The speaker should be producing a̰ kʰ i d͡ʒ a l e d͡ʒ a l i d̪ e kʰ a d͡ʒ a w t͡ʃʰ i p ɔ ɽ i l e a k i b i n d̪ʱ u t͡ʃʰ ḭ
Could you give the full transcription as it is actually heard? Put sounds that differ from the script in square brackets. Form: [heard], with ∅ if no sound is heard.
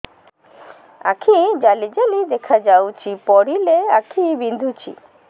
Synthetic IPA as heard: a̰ kʰ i d͡ʒ a l [i] d͡ʒ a l i d̪ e kʰ a d͡ʒ a w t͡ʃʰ i p ɔ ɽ i l e a [kʰ] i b i n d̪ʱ u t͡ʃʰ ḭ